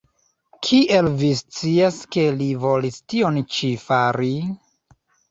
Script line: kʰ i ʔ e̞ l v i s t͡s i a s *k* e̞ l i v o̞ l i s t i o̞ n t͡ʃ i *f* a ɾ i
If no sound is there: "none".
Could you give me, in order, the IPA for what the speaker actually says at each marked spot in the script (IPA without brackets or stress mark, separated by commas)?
k, f